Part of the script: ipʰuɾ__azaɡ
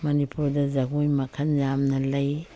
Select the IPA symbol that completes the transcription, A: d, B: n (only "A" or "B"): A